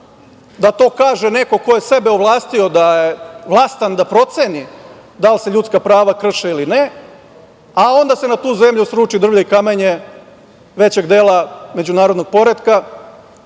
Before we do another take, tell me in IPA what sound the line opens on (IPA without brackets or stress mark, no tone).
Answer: d̪